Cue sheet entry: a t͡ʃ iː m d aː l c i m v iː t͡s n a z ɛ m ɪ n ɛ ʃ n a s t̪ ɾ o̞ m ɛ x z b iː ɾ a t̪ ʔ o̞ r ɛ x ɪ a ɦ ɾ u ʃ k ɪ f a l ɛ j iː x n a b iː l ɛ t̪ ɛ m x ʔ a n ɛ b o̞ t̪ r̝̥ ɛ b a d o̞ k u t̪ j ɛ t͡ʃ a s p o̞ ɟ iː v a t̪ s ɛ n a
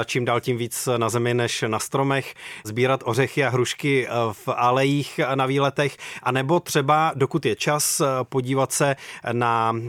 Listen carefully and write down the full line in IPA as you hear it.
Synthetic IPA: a t͡ʃ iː m d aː l c i m v iː t͡s n a z ɛ m ɪ n ɛ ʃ n a s t̪ ɾ o̞ m ɛ x z b iː ɾ a t̪ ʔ o̞ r ɛ x ɪ a ɦ ɾ u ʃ k ɪ f a l ɛ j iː x n a v iː l ɛ t̪ ɛ x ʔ a n ɛ b o̞ t̪ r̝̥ ɛ b a d o̞ k u t̪ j ɛ t͡ʃ a s p o̞ ɟ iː v a t̪ s ɛ n a